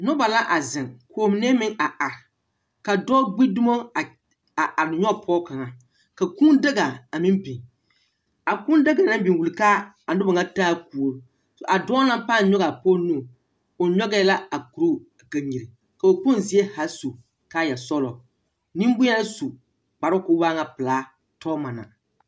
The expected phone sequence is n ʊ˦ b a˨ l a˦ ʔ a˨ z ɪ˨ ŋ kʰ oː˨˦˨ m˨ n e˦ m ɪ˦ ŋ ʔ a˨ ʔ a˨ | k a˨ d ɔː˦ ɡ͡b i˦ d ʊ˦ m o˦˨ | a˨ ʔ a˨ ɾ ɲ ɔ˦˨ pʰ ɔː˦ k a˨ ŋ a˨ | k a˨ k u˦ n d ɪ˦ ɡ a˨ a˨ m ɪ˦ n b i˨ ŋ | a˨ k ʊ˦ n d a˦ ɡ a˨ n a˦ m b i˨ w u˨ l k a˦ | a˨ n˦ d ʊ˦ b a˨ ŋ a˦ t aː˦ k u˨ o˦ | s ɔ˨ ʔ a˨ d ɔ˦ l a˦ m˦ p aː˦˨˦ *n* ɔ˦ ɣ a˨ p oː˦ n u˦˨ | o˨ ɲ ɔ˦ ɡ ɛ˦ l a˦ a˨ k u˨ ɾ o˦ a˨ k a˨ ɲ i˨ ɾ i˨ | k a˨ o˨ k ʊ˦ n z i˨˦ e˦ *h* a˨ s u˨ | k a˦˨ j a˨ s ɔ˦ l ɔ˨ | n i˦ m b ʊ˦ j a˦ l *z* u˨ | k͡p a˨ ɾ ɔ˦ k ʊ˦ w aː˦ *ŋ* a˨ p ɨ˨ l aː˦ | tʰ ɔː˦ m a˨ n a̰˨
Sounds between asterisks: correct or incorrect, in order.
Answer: incorrect, correct, incorrect, correct

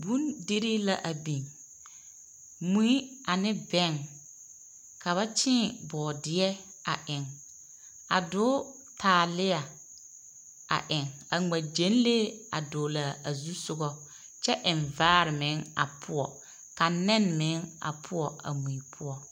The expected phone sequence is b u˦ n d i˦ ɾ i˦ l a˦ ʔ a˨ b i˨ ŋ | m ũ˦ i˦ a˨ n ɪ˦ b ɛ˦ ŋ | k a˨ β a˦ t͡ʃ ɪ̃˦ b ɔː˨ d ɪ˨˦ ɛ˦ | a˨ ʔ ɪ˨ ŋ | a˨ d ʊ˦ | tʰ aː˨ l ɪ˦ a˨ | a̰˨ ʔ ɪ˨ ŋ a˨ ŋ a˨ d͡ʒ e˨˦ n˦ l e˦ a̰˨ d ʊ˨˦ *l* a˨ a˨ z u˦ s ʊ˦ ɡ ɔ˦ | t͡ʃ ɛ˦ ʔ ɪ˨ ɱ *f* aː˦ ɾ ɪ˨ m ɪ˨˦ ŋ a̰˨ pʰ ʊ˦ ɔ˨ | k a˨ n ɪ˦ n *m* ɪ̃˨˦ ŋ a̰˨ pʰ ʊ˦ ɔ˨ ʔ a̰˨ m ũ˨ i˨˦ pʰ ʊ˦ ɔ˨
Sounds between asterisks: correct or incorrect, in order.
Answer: correct, incorrect, correct

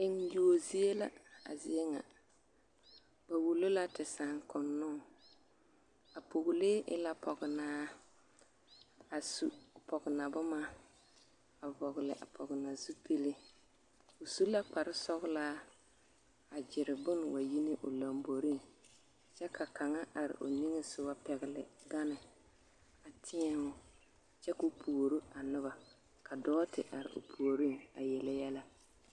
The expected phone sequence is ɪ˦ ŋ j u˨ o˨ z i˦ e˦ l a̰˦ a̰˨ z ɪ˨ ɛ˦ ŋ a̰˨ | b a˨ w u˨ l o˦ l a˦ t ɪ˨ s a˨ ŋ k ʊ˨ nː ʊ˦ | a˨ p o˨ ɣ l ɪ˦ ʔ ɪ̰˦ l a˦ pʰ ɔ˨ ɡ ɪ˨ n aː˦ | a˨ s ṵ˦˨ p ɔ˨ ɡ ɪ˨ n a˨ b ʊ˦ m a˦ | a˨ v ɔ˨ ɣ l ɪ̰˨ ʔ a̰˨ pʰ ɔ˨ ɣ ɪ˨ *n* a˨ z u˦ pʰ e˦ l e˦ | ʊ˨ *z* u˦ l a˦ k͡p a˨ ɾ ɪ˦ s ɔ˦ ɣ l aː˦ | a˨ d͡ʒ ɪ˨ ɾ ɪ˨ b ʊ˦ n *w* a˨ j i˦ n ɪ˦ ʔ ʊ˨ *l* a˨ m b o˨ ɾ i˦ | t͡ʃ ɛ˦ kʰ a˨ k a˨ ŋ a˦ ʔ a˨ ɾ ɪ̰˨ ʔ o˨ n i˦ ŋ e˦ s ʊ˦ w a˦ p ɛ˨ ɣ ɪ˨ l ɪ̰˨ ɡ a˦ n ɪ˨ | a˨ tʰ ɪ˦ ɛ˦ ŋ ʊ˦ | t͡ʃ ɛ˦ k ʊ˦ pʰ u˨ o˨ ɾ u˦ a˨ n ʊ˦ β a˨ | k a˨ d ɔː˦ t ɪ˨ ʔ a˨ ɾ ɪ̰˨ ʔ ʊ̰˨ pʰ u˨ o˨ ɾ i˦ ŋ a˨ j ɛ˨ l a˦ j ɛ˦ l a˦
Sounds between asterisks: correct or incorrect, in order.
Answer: correct, incorrect, correct, correct

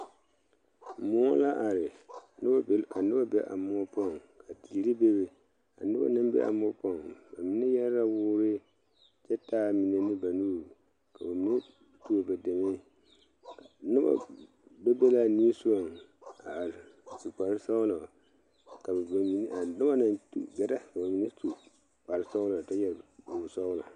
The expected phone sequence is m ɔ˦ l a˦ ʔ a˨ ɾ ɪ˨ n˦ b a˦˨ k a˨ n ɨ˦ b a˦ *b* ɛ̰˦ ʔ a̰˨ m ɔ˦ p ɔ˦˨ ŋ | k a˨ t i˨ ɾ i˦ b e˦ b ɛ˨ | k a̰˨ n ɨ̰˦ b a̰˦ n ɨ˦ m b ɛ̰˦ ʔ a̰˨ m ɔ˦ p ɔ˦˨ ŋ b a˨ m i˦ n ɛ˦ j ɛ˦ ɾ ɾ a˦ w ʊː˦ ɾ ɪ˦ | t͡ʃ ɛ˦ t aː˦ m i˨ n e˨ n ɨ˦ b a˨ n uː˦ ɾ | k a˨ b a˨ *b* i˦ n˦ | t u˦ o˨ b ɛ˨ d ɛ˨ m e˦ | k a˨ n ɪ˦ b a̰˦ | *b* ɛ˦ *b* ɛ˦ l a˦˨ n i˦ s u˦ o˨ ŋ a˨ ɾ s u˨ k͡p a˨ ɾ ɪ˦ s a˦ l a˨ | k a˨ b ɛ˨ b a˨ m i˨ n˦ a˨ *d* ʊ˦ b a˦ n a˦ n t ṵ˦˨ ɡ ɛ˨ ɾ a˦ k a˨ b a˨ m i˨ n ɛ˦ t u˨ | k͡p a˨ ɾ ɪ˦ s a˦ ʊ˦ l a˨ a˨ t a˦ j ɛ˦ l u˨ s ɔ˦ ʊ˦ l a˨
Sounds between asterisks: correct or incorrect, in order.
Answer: correct, incorrect, correct, correct, incorrect

